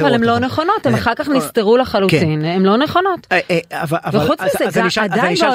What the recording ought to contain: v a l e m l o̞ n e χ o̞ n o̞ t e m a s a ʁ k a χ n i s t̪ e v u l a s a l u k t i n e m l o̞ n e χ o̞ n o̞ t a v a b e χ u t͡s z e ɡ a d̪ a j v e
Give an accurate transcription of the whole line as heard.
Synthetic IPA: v a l e m l o̞ n e χ o̞ n o̞ t e m a χ a ʁ k a χ n i s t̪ e ʁ u l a χ a l u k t i n e m l o̞ n e χ o̞ n o̞ t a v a v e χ u t͡s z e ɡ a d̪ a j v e